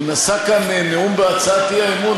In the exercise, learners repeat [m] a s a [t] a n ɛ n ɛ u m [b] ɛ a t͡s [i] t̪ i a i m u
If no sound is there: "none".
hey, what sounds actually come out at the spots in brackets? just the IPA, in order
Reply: n, k, b, a

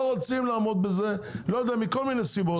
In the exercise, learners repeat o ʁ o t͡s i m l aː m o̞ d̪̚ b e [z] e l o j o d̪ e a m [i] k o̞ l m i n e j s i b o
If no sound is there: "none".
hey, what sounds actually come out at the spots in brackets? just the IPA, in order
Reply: z, i

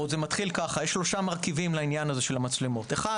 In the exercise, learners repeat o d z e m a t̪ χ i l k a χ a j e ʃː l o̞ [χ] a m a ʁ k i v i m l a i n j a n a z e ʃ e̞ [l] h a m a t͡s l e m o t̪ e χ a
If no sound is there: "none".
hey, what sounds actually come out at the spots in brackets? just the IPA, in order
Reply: ʃ, l

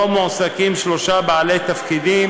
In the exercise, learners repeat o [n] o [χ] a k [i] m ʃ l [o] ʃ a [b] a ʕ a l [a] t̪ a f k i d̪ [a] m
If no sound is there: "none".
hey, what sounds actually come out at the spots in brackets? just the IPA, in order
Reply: m, s, i, o, b, e, i

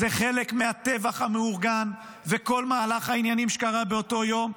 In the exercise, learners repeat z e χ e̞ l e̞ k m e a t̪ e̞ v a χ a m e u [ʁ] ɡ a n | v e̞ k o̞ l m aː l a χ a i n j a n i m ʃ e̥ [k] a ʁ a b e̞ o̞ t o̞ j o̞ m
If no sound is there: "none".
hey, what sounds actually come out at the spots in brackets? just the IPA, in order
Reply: ʁ, k

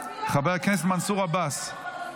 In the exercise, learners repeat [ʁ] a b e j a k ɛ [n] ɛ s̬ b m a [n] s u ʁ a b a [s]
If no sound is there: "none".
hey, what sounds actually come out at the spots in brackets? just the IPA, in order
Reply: χ, n, n, s

